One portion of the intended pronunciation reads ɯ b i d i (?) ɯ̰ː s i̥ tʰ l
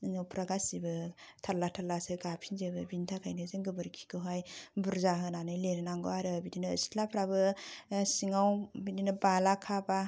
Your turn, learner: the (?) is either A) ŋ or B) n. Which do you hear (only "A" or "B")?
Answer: B